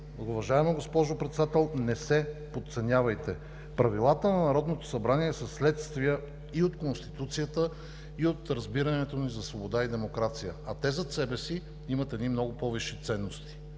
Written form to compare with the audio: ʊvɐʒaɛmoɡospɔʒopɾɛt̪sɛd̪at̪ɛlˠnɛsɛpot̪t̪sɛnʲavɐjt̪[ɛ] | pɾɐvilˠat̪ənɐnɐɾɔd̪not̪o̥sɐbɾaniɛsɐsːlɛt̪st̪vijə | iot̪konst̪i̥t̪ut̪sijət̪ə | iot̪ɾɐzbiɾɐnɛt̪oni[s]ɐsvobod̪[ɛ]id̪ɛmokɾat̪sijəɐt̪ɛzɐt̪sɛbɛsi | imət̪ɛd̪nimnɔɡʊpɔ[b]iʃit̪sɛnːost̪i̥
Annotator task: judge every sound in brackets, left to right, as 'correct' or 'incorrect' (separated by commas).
correct, incorrect, incorrect, incorrect